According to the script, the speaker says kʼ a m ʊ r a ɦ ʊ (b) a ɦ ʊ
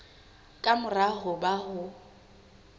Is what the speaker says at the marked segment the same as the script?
yes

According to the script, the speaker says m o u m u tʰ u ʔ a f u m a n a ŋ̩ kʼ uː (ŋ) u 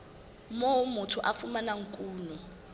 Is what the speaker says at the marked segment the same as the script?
no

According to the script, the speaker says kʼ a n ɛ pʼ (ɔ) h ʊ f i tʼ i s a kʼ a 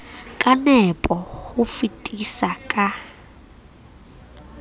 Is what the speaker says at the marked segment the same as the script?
yes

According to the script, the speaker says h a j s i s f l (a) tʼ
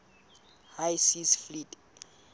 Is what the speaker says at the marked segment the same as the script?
no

